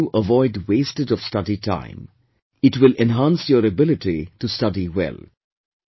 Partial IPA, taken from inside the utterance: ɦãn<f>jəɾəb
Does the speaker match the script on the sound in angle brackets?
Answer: no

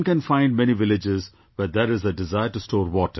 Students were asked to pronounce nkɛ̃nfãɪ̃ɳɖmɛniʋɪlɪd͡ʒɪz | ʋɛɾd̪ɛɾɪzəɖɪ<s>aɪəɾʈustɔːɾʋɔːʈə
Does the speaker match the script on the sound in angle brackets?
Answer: no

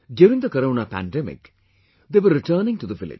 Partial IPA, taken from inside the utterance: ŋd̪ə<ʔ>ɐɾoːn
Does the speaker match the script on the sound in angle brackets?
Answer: no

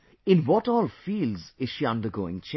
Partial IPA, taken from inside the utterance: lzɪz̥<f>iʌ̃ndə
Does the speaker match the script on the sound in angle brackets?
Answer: no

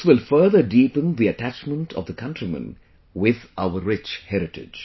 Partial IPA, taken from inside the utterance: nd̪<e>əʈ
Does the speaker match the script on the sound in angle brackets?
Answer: no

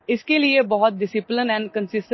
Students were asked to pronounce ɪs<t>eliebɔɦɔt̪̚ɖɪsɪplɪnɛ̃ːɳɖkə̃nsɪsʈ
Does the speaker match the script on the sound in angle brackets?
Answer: no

